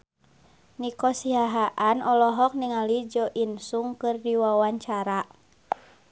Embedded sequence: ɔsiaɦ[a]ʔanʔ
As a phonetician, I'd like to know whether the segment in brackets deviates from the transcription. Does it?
no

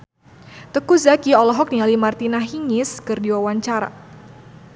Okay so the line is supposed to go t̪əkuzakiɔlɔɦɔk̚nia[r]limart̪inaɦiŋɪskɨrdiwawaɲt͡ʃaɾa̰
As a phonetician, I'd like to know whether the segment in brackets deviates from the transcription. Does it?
yes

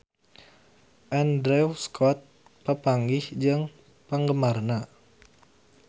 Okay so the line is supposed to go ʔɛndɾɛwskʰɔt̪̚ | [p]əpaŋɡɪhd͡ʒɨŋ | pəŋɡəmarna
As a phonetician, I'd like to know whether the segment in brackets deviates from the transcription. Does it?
no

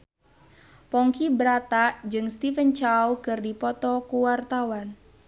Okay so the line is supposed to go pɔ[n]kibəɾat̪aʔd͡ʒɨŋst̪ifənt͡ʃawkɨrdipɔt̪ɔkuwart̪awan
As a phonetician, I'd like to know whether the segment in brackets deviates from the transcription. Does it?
yes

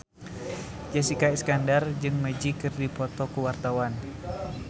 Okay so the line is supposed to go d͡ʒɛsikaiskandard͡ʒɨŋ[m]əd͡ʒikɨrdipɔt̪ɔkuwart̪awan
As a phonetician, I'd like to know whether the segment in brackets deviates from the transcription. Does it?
no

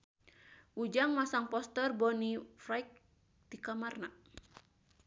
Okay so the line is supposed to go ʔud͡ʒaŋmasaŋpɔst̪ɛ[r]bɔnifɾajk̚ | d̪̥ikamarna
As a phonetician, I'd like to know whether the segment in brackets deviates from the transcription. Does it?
no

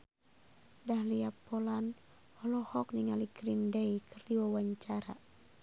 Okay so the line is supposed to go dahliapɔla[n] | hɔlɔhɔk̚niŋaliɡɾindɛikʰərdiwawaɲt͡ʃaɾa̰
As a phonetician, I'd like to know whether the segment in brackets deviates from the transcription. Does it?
no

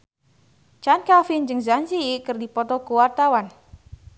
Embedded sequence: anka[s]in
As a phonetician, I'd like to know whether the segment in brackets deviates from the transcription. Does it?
yes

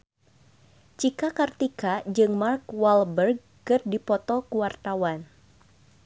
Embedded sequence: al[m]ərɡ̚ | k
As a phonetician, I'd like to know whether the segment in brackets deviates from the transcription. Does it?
yes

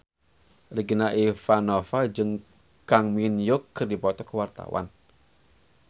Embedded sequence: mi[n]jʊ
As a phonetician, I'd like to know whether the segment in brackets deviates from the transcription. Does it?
no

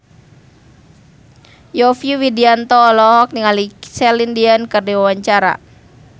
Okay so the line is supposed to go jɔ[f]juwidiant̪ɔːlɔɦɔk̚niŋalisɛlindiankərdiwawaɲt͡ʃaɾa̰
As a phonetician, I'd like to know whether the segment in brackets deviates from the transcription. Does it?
no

